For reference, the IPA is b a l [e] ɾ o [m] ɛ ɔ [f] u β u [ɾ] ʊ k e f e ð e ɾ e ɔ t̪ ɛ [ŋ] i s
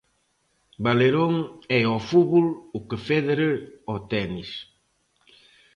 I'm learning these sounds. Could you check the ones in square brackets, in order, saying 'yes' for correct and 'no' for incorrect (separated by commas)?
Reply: yes, no, yes, no, no